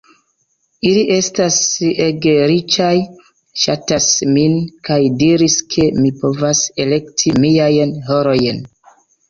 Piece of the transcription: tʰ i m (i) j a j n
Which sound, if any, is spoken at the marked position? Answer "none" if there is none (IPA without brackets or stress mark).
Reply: i